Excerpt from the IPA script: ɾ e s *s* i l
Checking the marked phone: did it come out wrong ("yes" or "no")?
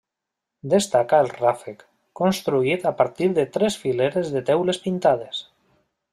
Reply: yes